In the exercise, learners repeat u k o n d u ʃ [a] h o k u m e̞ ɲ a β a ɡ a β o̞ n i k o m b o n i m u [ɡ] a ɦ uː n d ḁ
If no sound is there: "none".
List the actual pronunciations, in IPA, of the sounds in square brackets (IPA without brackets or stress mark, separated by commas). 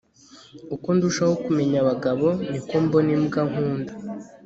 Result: a, ɡ